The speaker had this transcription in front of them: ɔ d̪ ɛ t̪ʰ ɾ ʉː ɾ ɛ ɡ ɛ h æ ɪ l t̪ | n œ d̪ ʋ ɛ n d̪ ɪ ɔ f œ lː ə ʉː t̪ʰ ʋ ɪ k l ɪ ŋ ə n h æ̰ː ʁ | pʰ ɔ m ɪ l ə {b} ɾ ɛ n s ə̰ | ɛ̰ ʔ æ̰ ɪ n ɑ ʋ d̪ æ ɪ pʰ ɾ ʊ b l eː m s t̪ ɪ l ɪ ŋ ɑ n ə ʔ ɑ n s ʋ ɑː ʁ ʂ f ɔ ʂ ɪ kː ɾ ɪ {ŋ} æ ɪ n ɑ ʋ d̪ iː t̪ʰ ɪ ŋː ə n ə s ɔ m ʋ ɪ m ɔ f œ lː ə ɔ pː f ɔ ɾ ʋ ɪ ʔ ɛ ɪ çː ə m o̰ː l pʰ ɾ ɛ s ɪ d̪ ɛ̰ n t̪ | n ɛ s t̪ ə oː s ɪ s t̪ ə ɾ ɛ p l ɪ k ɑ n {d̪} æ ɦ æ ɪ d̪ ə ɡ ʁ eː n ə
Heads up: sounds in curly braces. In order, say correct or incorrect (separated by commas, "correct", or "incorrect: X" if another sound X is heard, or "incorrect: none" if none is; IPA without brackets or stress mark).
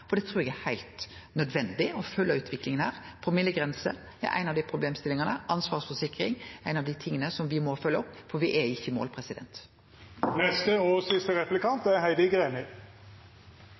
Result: incorrect: ɡ, correct, incorrect: t̪